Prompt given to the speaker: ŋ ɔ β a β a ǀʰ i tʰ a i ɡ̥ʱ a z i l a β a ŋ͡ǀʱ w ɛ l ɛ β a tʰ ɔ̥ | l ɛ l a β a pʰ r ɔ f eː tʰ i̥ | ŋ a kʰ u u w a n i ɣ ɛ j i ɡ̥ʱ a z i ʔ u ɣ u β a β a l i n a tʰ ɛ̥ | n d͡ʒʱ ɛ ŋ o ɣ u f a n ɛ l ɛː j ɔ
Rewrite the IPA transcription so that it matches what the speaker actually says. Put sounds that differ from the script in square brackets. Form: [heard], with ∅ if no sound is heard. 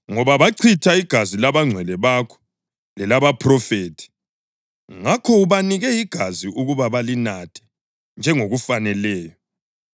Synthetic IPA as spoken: ŋ ɔ β a β a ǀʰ i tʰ a i ɡ̥ʱ a z i l a β a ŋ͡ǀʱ w ɛ l ɛ β a [kʰ] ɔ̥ | l ɛ l a β a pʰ r ɔ f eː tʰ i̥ | ŋ a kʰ [ɔ] u [β] a n i ɣ ɛ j i ɡ̥ʱ a z i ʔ u ɣ u β a β a l i n a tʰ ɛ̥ | n d͡ʒʱ ɛ ŋ o ɣ u f a n ɛ l ɛː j ɔ